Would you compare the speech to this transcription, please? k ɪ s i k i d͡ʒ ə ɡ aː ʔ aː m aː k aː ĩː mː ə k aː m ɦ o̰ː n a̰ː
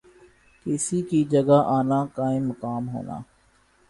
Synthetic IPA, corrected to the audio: k ɪ s i k i d͡ʒ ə ɡ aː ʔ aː n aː k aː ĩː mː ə k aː m ɦ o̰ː n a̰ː

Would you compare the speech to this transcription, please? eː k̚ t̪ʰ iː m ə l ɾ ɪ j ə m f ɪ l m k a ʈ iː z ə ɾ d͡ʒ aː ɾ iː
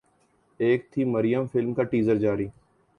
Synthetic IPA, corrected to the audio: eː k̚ t̪ʰ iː m ə ɾ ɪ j ə m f ɪ l m k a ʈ iː z ə ɾ d͡ʒ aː ɾ iː

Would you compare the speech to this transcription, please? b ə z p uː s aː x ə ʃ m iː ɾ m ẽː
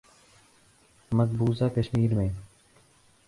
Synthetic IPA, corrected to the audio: m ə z b uː z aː k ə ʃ m iː ɾ m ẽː

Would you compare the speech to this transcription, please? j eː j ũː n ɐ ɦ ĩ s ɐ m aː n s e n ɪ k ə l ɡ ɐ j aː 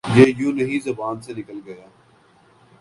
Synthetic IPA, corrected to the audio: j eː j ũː n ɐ ɦ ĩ z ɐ b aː n s e n ɪ k ə l ɡ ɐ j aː

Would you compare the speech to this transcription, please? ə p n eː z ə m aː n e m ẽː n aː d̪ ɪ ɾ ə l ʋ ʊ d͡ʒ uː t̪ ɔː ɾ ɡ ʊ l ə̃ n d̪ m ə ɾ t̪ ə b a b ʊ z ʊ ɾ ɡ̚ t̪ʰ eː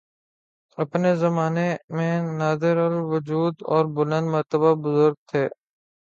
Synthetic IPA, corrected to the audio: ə p n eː z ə m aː n e m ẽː n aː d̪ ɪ ɾ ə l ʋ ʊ d͡ʒ uː d̪ ɔː ɾ b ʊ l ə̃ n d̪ m ə ɾ t̪ ə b a b ʊ z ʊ ɾ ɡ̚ t̪ʰ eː

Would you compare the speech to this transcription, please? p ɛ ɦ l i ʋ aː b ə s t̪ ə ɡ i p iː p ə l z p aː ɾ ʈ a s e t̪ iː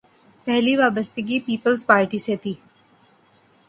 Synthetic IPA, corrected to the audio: p ɛ ɦ l i ʋ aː b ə s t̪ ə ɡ i p iː p ə l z p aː ɾ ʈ i s e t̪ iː

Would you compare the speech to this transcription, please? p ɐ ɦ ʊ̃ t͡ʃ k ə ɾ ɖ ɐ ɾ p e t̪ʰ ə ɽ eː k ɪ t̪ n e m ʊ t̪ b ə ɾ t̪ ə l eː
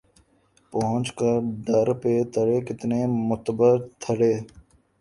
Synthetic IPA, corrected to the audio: p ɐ ɦ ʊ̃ t͡ʃ k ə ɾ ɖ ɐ ɾ p e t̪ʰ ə ɽ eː k ɪ t̪ n e m ʊ t̪ b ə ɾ t̪ʰ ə ɽ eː

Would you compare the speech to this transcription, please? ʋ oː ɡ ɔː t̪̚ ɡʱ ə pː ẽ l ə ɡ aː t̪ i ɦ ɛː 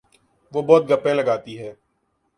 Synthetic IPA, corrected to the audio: ʋ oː b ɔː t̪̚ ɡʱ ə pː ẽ l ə ɡ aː t̪ i ɦ ɛː

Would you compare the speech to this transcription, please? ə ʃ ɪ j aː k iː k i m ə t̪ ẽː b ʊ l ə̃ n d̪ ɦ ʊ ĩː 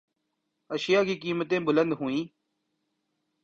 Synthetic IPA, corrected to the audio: ə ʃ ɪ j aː k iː k iː m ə t̪ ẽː b ʊ l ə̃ n d̪ ɦ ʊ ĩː

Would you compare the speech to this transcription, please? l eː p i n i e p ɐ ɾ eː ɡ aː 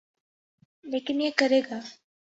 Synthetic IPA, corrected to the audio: l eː k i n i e k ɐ ɾ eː ɡ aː

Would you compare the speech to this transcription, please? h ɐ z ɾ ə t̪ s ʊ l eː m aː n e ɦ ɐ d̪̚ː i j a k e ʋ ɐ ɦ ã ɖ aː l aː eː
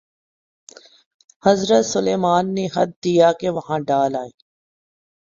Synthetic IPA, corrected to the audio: h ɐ z ɾ ə t̪ s ʊ l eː m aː nː e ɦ ɐ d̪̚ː i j a k e ʋ ɐ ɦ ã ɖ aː l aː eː

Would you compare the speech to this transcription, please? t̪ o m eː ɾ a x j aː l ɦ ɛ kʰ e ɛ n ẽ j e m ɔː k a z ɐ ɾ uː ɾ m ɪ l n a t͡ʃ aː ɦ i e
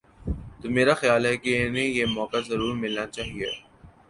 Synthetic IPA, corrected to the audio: t̪ o m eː ɾ a x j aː l ɦ ɛ k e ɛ n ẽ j e m ɔː k a z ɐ ɾ uː ɾ m ɪ l n a t͡ʃ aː ɦ i e

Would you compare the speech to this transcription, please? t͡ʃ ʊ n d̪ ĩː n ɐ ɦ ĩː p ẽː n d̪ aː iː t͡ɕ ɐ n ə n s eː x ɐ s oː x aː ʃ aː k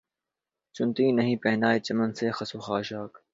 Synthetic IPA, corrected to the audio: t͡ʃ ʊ n t̪ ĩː n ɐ ɦ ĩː p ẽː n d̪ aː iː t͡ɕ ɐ m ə n s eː x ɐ s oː x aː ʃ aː k

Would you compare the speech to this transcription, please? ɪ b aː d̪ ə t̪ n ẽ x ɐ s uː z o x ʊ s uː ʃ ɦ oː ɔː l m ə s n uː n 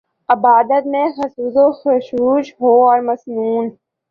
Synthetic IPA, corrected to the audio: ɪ b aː d̪ ə t̪ m ẽ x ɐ s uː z o x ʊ ʃ uː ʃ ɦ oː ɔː ɾ m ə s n uː n

